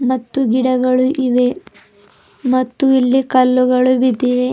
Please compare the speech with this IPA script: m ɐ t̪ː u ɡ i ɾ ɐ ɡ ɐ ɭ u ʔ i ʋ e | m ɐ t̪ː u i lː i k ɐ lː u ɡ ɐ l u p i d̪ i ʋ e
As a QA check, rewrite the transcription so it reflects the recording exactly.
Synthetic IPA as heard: m ɐ t̪ː u ɡ i ɽ ɐ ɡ ɐ ɭ u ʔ i ʋ e | m ɐ t̪ː u i lː i k ɐ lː u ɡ ɐ ɭ u b i d̪ i ʋ e